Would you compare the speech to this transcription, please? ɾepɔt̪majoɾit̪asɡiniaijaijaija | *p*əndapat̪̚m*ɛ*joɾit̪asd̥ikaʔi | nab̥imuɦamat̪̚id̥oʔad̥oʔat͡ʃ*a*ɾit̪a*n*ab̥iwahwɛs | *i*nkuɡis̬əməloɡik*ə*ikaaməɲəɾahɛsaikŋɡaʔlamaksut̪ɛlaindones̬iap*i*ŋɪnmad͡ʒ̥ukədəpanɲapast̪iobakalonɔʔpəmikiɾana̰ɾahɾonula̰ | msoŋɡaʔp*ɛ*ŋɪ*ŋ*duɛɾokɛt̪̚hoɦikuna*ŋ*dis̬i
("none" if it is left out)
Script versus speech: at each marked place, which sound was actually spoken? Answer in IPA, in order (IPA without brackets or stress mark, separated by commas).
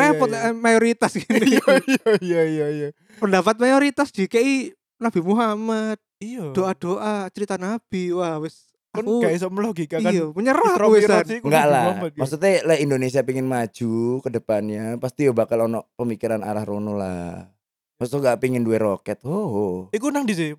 p, a, ə, n, a, a, i, i, n, ŋ